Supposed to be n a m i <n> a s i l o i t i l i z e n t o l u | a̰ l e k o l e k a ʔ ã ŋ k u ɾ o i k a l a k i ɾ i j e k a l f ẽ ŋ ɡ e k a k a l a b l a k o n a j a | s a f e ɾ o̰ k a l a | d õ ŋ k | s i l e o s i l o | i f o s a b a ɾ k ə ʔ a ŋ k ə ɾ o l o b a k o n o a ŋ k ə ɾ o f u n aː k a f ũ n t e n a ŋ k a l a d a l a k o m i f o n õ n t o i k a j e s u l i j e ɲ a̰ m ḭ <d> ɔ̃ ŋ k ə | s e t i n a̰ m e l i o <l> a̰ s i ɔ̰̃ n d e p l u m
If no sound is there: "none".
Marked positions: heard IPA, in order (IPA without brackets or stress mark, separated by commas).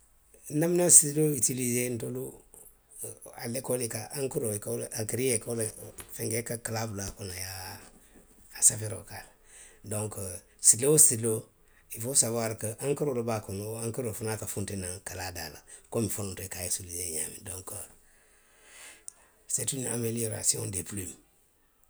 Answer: n, d, ɾ